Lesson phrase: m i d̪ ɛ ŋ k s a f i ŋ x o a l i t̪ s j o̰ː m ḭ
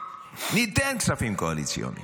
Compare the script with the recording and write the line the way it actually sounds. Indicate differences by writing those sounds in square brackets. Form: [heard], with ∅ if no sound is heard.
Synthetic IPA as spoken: [n] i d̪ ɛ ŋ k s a f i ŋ [k] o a l i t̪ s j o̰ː [n] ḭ